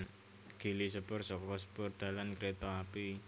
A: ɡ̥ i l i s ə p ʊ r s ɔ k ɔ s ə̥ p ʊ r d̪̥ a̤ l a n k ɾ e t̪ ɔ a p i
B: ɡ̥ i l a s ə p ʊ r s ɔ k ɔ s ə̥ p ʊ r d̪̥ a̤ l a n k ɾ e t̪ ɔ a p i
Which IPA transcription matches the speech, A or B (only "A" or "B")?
A